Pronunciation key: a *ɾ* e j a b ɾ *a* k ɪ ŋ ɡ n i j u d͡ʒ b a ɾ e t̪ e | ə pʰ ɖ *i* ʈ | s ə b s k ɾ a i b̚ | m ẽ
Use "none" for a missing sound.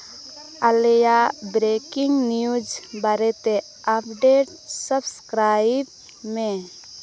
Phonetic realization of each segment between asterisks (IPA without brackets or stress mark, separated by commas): l, e, e